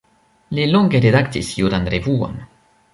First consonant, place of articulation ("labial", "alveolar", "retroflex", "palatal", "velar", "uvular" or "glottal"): alveolar